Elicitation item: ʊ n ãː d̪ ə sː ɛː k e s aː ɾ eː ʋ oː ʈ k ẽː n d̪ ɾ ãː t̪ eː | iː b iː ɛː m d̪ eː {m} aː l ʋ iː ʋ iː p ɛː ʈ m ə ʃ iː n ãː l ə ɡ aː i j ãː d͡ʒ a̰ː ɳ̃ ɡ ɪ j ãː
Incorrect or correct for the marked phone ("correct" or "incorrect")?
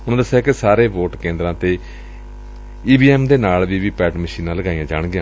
incorrect